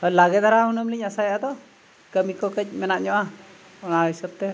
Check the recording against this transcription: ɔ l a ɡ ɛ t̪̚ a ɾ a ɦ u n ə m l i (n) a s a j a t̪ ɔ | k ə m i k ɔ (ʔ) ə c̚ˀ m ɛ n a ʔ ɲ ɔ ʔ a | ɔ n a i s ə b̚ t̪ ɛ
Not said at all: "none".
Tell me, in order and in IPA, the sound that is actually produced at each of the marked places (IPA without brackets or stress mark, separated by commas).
ɲ, k